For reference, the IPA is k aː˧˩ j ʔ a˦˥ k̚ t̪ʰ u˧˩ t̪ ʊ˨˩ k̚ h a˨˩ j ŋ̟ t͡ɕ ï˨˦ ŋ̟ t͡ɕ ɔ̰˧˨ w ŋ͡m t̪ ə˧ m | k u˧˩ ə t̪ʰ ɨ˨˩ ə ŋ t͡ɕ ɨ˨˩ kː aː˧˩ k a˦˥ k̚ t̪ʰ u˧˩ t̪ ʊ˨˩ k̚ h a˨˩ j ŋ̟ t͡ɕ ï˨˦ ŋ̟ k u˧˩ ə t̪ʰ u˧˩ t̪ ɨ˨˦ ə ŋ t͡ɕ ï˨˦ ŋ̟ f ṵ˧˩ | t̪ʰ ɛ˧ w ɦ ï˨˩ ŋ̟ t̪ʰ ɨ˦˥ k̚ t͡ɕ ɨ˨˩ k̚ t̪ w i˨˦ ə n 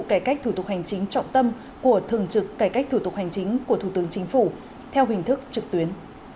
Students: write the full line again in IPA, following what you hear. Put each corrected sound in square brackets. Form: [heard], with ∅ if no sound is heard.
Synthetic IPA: k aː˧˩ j [k] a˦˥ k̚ t̪ʰ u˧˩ t̪ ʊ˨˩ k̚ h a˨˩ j ŋ̟ t͡ɕ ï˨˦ ŋ̟ t͡ɕ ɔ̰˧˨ w ŋ͡m t̪ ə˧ m | k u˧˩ ə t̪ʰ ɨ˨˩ ə ŋ t͡ɕ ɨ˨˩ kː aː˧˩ k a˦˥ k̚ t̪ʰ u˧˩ t̪ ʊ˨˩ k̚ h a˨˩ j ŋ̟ t͡ɕ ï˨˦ ŋ̟ k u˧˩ ə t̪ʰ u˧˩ t̪ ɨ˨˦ ə ŋ t͡ɕ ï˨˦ ŋ̟ f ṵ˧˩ | t̪ʰ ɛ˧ w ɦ ï˨˩ ŋ̟ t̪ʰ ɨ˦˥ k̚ t͡ɕ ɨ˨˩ k̚ t̪ w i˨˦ ə n